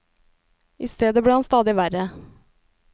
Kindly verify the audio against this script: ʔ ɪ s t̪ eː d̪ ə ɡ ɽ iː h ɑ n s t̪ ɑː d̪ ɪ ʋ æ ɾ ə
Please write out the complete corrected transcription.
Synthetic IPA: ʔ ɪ s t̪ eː d̪ ə b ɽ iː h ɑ n s t̪ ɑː d̪ ɪ ʋ æ ɾ ə